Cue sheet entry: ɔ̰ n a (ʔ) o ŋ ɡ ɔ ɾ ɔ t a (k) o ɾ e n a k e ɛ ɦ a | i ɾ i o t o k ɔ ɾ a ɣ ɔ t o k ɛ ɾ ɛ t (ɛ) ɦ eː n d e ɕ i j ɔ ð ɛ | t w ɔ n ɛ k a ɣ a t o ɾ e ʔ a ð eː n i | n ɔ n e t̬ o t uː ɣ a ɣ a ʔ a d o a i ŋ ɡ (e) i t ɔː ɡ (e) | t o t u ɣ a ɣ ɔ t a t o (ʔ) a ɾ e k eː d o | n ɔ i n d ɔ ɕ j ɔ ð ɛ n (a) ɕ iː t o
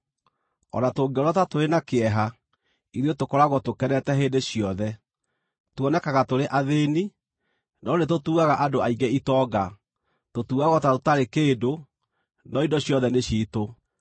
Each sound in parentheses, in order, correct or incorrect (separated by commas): incorrect, incorrect, correct, incorrect, incorrect, incorrect, incorrect